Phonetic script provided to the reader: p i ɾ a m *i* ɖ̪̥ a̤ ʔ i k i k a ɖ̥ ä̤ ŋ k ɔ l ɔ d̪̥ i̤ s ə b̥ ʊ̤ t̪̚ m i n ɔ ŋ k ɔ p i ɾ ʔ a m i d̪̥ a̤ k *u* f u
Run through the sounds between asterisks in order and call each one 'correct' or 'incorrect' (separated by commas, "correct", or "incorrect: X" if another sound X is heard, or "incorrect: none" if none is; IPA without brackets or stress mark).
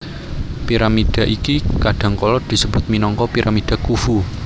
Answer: correct, correct